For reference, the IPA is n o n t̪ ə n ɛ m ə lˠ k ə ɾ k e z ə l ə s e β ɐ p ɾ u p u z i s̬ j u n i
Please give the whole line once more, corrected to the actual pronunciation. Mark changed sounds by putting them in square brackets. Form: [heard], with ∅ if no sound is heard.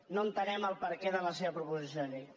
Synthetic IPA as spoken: n o n t̪ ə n ɛ m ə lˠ [p] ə ɾ k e [ð] ə l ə s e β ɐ p ɾ u p u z i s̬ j [o] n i